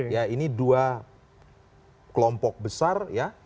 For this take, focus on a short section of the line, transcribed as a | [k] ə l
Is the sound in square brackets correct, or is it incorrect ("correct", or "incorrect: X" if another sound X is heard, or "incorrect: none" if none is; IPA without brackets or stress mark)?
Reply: correct